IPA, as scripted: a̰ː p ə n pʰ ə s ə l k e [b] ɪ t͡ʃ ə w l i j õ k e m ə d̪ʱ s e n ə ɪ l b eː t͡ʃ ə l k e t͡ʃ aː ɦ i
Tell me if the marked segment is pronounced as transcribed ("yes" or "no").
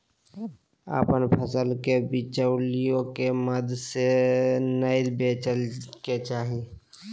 yes